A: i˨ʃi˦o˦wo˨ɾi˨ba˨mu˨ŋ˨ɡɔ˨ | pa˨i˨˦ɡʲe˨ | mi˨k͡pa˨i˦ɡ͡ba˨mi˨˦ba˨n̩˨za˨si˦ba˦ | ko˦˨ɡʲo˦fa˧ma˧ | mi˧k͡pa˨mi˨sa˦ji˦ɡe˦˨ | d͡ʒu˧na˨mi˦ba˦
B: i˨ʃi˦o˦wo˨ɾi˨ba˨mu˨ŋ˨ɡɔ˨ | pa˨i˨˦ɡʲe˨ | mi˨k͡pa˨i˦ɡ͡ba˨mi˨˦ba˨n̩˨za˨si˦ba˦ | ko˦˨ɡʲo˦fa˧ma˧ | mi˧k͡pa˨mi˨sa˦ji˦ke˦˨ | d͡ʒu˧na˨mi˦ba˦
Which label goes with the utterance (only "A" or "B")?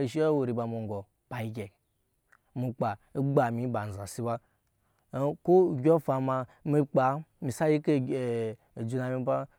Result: B